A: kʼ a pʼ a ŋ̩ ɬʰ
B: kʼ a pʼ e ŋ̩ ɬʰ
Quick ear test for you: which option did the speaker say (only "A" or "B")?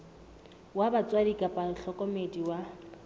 A